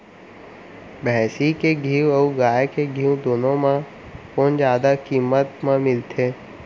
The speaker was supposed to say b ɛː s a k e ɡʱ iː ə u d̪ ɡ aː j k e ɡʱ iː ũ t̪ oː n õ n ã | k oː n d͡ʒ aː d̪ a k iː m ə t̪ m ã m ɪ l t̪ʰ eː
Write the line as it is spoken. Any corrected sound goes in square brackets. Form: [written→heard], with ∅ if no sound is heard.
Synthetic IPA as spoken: b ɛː s [a→i] k e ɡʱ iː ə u [d̪→∅] ɡ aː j k e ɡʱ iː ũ [t̪→d̪] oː n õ [n→m] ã | k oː n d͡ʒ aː d̪ a k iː m ə t̪ m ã m ɪ l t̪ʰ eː